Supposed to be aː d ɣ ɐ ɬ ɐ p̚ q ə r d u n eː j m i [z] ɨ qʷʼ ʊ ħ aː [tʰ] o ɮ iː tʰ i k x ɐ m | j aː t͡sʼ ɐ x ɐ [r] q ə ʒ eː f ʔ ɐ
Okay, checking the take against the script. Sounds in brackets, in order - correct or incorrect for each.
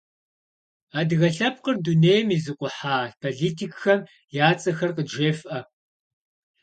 correct, incorrect: pʰ, correct

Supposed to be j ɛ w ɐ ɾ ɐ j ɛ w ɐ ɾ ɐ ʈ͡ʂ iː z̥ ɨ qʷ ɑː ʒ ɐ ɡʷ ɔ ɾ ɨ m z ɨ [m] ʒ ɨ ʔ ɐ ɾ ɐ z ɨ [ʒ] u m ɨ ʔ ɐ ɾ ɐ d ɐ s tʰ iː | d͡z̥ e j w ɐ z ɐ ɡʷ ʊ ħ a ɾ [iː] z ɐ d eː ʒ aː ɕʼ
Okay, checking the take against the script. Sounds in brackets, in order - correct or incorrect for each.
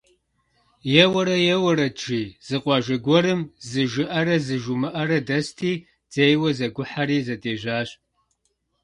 incorrect: none, correct, correct

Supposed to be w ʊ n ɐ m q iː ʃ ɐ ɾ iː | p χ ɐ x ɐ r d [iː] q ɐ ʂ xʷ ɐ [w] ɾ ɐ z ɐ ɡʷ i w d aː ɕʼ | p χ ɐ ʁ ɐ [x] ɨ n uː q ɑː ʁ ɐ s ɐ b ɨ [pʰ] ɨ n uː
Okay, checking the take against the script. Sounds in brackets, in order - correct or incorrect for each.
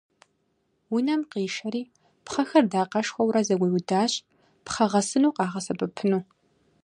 incorrect: aː, correct, incorrect: s, correct

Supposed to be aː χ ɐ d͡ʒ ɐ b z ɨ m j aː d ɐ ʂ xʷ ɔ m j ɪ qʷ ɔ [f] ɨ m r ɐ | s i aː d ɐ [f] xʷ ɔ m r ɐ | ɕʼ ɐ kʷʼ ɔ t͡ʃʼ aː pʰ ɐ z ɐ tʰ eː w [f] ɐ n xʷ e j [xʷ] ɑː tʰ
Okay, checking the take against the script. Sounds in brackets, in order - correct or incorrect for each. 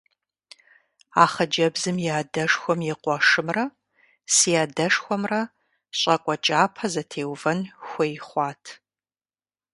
incorrect: ʂ, incorrect: ʂ, incorrect: v, incorrect: χʷ

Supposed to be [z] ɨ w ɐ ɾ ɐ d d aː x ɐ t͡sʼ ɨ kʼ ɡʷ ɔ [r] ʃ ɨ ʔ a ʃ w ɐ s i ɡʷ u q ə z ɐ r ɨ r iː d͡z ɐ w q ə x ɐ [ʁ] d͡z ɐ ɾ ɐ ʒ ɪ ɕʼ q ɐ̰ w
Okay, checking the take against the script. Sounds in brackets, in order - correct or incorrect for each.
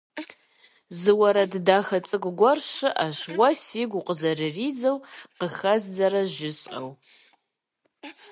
correct, correct, incorrect: z

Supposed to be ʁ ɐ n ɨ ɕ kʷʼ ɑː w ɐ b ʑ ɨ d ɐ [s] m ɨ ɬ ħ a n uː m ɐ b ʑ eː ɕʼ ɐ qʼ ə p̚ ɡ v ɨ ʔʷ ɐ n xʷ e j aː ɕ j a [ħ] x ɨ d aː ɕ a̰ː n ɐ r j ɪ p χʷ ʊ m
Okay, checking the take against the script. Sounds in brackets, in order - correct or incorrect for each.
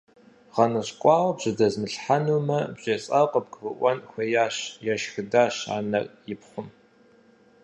incorrect: z, incorrect: ʃ

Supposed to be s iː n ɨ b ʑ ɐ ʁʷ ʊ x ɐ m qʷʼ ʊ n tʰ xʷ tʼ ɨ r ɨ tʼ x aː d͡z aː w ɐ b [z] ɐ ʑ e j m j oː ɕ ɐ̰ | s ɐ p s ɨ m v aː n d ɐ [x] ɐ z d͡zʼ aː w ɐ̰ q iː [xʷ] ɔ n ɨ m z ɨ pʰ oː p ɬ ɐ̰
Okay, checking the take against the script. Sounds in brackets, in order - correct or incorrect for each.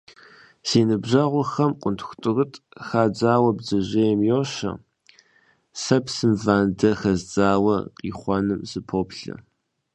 correct, correct, incorrect: χʷ

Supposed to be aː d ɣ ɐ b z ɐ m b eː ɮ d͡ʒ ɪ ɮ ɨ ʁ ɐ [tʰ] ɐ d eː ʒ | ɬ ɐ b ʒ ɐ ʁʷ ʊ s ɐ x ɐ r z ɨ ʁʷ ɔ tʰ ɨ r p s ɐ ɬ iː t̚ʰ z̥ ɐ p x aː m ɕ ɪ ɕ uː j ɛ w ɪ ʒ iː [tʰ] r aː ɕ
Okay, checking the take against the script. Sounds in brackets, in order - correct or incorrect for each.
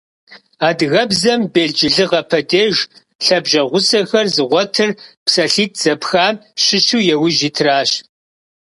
incorrect: pʰ, correct

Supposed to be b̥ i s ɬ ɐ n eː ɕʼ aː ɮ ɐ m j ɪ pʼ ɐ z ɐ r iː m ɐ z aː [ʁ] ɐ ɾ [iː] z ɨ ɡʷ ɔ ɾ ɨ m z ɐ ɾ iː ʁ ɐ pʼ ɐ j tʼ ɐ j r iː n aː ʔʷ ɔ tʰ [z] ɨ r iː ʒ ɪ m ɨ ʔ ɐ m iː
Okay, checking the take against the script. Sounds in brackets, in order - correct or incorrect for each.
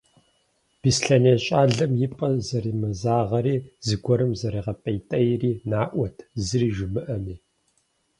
correct, correct, correct

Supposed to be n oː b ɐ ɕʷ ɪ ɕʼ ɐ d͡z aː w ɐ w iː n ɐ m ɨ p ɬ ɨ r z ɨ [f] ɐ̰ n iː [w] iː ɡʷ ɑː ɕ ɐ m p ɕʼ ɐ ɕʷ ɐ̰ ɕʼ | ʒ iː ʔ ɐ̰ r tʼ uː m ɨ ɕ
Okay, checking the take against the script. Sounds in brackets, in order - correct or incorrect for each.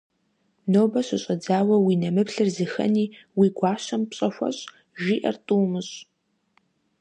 incorrect: x, correct

